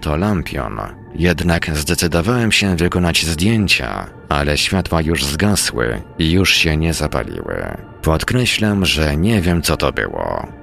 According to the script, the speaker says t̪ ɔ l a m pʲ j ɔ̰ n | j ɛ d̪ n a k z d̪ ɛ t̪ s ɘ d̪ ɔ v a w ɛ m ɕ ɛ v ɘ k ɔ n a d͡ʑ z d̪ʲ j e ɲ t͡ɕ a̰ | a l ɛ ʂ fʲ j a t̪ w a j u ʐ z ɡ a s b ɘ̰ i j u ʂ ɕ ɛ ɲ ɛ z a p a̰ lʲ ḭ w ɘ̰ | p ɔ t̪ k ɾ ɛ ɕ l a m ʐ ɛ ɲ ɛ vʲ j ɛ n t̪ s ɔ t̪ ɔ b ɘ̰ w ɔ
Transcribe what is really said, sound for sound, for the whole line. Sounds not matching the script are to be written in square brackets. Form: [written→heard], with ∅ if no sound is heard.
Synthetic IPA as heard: t̪ ɔ l a m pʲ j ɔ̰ n | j ɛ d̪ n a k z d̪ ɛ t̪ s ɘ d̪ ɔ v a w ɛ m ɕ ɛ v ɘ k ɔ n a d͡ʑ z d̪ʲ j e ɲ t͡ɕ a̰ | a l ɛ [ʂ→ɕ] fʲ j a t̪ w a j u ʐ z ɡ a s [b→w] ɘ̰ i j u ʂ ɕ ɛ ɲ ɛ z a p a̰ lʲ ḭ w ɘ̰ | p ɔ t̪ k ɾ ɛ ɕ l a m ʐ ɛ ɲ ɛ vʲ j ɛ [n→m] t̪ s ɔ t̪ ɔ b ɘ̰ w ɔ